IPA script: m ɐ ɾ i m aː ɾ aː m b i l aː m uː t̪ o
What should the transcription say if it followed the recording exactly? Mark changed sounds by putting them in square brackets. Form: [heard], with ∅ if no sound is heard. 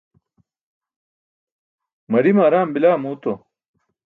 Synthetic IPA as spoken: m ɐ ɾ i m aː ɾ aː m b i l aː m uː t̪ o